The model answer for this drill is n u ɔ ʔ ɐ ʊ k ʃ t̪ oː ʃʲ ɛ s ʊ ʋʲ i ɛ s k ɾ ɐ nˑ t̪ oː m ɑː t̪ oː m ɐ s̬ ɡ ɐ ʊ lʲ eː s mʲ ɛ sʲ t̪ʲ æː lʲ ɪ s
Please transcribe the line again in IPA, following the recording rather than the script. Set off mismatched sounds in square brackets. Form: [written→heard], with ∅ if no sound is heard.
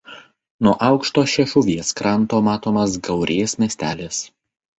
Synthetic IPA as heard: n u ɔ ʔ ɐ ʊ k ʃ t̪ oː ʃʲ ɛ [s→ʃ] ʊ ʋʲ i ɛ s k ɾ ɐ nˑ t̪ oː m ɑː t̪ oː m ɐ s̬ ɡ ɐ ʊ [lʲ→ɾʲ] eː s mʲ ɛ sʲ t̪ʲ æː lʲ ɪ s